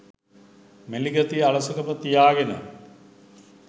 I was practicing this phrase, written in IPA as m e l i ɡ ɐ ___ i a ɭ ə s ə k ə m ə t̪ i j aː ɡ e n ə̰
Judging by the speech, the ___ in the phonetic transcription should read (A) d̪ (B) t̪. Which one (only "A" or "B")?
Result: B